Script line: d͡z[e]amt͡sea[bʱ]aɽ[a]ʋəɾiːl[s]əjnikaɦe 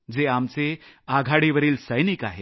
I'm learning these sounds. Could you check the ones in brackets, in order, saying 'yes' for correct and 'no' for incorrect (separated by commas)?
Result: yes, no, no, yes